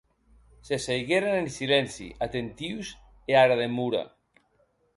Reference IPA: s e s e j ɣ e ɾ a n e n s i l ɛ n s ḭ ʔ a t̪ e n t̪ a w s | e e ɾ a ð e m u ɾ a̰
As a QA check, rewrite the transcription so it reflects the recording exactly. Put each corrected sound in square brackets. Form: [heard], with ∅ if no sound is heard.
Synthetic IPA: s e s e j ɣ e ɾ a n e n s i l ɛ n s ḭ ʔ a t̪ e n t̪ [i] w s | e [a] ɾ a ð e m u ɾ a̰